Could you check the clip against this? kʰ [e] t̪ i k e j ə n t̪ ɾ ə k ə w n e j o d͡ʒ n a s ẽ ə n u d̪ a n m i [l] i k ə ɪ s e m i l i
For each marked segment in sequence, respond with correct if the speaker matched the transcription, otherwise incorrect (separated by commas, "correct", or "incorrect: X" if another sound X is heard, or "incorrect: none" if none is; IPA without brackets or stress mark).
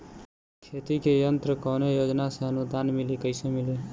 correct, correct